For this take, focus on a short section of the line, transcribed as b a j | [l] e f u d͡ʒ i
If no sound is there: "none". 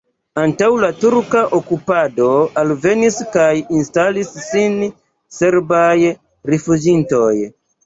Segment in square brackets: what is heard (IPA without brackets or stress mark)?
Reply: ɾ